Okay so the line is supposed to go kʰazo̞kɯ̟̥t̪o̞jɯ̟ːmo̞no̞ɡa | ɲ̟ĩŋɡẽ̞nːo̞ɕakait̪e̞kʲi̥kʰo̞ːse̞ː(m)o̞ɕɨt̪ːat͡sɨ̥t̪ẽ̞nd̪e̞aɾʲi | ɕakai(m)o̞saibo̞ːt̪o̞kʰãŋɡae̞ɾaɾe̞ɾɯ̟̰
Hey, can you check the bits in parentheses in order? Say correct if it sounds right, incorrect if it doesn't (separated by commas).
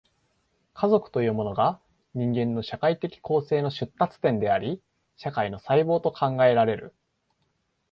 incorrect, incorrect